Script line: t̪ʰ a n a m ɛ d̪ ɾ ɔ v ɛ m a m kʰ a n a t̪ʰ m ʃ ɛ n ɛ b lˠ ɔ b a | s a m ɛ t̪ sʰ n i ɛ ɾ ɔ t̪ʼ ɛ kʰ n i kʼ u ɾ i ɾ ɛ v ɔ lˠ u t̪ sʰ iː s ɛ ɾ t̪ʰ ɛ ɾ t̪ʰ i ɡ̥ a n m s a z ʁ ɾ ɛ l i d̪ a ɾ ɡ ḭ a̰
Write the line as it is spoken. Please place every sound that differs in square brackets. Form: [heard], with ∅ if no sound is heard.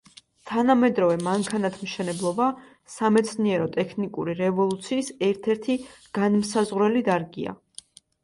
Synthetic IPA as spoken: t̪ʰ a n a m ɛ d̪ ɾ ɔ v ɛ m a [ŋ] kʰ a n a t̪ʰ m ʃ ɛ n ɛ b lˠ ɔ b a | s a m ɛ t̪ sʰ n i ɛ ɾ ɔ t̪ʼ ɛ kʰ n i kʼ u ɾ i ɾ ɛ v ɔ lˠ u t̪ sʰ iː s ɛ ɾ t̪ʰ ɛ ɾ t̪ʰ i ɡ̥ a n m s a z ʁ ɾ ɛ l i d̪ a ɾ ɡ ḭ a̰